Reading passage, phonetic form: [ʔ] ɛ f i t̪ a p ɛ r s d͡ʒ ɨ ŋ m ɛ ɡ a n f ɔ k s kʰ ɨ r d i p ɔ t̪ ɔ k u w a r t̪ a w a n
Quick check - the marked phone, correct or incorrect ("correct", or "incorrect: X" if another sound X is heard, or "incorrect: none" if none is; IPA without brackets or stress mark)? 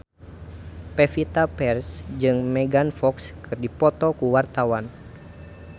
incorrect: p